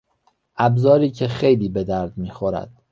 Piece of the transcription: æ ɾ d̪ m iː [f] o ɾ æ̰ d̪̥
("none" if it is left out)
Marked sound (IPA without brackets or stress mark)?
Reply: x